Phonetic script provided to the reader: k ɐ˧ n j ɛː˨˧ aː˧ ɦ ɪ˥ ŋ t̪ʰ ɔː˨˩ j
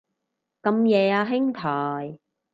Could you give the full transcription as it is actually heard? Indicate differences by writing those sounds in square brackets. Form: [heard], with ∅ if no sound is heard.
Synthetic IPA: k ɐ˧ [m] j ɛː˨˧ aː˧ ɦ ɪ˥ ŋ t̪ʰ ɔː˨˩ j